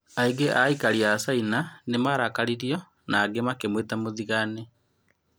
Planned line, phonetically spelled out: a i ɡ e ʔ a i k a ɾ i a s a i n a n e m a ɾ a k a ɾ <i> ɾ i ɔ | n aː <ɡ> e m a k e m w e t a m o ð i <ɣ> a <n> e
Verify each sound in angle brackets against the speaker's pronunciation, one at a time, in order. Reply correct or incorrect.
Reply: correct, correct, correct, correct

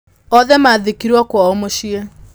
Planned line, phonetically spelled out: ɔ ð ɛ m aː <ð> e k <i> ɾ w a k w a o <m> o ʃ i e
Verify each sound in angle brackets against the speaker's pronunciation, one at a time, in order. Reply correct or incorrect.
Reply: correct, correct, correct

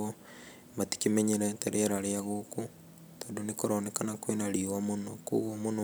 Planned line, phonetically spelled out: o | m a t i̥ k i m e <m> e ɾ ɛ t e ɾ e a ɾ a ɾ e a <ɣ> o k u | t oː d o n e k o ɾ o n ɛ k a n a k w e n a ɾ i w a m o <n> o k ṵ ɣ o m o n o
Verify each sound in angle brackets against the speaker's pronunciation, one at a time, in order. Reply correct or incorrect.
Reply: incorrect: ɲ, correct, correct

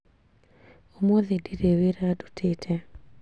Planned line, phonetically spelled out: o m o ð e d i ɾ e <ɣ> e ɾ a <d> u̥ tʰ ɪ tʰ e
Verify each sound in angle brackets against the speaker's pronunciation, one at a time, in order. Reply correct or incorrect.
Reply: incorrect: w, correct

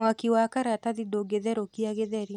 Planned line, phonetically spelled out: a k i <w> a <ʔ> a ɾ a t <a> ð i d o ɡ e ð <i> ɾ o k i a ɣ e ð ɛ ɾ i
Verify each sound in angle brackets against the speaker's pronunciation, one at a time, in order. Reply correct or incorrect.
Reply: correct, incorrect: k, correct, incorrect: ɛ

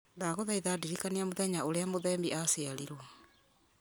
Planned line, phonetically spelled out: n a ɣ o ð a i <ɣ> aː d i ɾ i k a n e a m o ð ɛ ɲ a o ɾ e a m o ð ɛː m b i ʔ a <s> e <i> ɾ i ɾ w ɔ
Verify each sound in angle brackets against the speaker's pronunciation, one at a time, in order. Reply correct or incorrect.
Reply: incorrect: ð, correct, incorrect: a

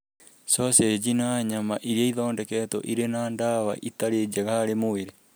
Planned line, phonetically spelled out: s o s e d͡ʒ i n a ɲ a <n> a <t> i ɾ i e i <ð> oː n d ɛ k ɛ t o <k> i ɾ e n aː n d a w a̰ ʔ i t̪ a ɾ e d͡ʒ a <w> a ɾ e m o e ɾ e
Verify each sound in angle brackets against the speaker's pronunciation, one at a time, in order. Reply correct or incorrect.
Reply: incorrect: m, incorrect: ʔ, correct, incorrect: ʔ, incorrect: ɣ

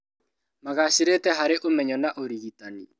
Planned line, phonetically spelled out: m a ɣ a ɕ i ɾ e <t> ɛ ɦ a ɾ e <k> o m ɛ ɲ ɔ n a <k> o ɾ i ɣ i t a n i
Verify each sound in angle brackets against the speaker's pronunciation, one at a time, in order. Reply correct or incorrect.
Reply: correct, incorrect: ʔ, incorrect: ʔ

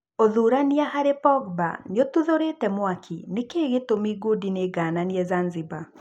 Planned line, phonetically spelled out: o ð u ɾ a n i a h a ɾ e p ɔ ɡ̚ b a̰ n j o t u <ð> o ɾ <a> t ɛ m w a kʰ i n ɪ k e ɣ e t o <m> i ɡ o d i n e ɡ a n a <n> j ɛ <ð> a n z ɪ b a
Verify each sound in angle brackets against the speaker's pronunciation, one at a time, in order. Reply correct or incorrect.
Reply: correct, incorrect: e, correct, correct, incorrect: z

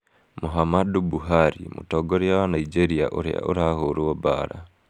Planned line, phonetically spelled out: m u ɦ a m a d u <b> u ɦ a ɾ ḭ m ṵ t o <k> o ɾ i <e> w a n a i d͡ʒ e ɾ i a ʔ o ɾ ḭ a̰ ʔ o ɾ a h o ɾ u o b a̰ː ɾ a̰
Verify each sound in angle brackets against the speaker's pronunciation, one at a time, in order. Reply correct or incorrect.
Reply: correct, incorrect: ɡ, incorrect: a

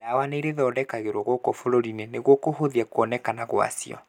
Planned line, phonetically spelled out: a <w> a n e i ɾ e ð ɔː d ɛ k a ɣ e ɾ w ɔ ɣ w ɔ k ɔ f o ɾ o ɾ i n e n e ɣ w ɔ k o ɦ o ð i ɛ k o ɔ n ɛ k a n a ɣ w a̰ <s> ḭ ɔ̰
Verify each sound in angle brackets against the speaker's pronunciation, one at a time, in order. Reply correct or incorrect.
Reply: correct, correct

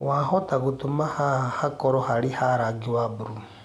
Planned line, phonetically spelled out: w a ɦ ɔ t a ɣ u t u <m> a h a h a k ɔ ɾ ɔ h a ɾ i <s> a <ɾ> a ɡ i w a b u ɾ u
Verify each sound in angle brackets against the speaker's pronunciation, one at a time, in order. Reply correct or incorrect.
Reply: correct, incorrect: h, correct

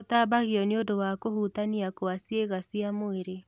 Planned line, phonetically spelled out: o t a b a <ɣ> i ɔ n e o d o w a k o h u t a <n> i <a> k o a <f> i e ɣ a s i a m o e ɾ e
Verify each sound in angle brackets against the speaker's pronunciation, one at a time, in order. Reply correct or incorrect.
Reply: correct, correct, correct, incorrect: s

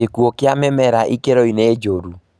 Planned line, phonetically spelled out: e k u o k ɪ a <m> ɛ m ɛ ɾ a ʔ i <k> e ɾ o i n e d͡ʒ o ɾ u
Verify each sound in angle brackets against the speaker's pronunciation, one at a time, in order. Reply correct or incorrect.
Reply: correct, correct

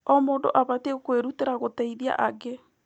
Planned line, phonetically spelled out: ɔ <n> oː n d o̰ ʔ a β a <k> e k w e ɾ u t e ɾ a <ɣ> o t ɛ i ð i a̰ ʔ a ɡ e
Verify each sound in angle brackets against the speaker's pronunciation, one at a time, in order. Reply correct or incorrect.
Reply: incorrect: m, incorrect: t, correct

